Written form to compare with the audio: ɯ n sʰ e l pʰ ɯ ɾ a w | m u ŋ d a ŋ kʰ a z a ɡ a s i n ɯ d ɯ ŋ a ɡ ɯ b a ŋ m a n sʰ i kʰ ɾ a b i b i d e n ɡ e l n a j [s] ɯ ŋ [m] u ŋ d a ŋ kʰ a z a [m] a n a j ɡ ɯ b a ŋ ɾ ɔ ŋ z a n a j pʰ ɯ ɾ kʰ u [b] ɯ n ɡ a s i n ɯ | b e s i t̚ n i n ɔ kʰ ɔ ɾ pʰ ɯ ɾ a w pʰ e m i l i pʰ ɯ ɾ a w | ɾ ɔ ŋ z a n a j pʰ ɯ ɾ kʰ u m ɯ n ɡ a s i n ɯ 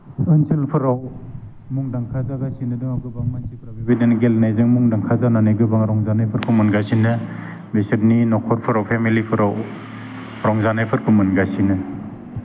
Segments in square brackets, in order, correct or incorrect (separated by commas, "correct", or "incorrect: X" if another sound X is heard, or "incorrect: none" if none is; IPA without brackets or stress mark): incorrect: z, correct, incorrect: n, incorrect: m